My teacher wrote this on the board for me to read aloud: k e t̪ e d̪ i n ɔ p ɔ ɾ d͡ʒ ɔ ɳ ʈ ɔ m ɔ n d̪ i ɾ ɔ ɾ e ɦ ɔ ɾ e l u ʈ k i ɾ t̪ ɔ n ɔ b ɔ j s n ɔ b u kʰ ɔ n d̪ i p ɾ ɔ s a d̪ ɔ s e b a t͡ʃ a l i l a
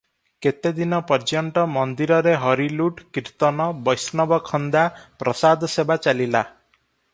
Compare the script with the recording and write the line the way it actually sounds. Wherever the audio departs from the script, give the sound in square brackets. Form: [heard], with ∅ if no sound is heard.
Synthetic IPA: k e t̪ e d̪ i n ɔ p ɔ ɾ d͡ʒ ɔ ɳ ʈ ɔ m ɔ n d̪ i ɾ ɔ ɾ e ɦ ɔ ɾ [i] l u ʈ k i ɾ t̪ ɔ n ɔ b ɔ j s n ɔ b [ɔ] kʰ ɔ n d̪ [a] p ɾ ɔ s a d̪ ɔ s e b a t͡ʃ a l i l a